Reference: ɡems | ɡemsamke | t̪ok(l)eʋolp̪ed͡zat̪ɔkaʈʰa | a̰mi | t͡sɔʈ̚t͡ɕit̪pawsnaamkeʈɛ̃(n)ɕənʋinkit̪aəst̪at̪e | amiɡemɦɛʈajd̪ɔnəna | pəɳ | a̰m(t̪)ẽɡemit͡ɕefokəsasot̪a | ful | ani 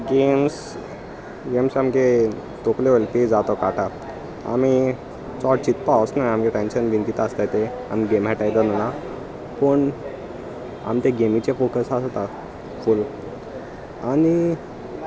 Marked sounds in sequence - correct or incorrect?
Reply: correct, correct, correct

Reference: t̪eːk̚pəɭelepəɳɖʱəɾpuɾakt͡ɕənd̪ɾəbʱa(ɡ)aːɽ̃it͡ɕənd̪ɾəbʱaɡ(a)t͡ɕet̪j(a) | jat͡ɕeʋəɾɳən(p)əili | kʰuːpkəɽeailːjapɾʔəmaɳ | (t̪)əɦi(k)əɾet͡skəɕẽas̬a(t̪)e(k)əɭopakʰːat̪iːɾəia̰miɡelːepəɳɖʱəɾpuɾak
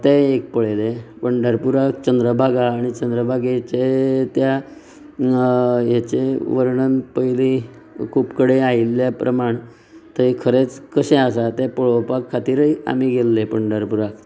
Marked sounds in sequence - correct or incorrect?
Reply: correct, incorrect, correct, correct, correct, incorrect, correct, incorrect

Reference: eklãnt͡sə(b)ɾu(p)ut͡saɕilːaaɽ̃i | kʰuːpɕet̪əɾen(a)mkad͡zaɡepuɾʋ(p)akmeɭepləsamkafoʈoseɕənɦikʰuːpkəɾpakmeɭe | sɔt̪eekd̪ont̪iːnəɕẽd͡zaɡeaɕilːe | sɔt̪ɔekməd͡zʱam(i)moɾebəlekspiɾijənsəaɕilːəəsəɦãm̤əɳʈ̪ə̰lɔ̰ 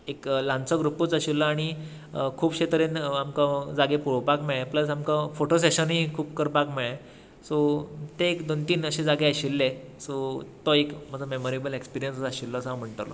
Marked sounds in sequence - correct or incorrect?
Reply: incorrect, correct, correct, correct, incorrect

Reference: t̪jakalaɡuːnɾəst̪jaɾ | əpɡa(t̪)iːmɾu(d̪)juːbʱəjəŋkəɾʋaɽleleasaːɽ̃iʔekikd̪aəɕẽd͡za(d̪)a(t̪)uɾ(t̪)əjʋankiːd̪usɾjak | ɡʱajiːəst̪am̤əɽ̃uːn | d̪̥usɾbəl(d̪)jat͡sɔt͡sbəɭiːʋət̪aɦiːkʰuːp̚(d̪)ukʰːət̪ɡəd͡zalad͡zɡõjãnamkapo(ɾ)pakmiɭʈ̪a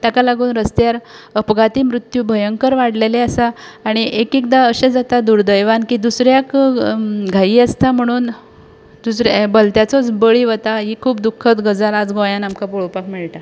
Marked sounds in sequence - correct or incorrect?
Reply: correct, incorrect, incorrect, incorrect, incorrect, incorrect, correct, incorrect

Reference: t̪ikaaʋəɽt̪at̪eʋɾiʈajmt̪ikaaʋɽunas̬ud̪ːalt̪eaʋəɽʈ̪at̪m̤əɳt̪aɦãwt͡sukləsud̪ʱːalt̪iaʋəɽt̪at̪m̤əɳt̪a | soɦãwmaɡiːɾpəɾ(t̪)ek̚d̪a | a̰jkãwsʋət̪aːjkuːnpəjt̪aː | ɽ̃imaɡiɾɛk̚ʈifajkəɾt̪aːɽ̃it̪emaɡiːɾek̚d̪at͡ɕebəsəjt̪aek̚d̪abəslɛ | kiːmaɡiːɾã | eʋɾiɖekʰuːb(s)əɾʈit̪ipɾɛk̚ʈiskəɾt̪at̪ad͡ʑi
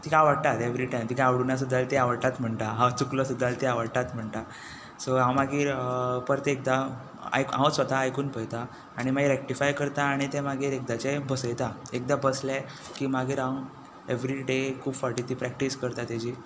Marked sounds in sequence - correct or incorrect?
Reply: correct, incorrect

